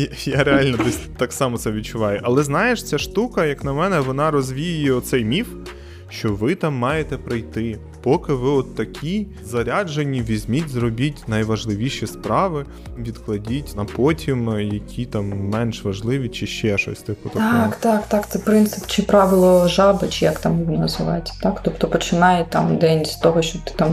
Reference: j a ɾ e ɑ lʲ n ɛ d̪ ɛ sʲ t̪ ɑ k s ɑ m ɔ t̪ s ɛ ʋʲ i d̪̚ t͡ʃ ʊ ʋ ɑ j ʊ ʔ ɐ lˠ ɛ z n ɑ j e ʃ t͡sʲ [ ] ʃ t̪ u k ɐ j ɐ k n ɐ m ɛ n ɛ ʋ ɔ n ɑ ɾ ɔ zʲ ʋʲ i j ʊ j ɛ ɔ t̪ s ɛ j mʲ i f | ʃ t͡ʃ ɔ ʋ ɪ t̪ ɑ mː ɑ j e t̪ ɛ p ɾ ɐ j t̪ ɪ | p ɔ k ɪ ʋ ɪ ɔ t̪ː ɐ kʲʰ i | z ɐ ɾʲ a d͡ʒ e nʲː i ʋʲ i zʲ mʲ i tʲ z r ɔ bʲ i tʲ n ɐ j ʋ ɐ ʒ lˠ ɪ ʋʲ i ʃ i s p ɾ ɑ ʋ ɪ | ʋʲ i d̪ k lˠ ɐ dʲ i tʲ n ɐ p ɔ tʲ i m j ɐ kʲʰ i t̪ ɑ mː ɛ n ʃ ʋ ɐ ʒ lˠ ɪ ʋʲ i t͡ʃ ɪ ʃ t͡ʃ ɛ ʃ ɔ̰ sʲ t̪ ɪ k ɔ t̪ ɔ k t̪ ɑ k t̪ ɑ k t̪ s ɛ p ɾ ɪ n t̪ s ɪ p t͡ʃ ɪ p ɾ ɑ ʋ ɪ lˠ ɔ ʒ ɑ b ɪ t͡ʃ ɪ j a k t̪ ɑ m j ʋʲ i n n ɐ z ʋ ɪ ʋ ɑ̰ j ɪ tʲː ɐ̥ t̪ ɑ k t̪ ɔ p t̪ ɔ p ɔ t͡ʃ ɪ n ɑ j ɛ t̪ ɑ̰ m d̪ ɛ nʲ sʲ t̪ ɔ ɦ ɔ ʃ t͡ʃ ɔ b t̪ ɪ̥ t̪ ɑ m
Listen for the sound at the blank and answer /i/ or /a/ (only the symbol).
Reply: a